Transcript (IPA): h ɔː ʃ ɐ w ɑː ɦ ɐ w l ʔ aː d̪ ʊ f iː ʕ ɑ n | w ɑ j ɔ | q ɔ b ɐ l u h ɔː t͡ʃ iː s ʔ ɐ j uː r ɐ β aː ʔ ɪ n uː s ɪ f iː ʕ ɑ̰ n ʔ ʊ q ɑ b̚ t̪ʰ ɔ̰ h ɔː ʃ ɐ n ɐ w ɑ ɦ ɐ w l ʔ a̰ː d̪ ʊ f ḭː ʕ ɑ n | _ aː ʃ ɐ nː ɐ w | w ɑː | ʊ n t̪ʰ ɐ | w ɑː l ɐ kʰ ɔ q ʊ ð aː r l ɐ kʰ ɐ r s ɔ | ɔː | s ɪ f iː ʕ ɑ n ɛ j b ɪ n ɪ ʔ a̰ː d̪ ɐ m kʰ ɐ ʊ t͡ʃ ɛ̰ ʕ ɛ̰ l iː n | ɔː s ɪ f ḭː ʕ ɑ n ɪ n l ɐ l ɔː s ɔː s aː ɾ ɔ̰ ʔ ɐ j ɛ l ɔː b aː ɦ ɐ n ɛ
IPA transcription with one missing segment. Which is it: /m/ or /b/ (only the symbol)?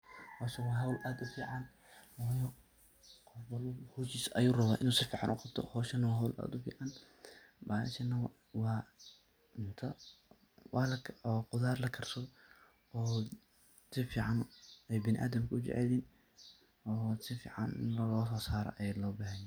b